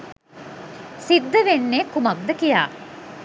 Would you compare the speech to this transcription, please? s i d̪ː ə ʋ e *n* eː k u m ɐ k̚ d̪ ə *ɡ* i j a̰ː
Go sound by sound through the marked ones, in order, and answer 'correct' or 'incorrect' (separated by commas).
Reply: incorrect, incorrect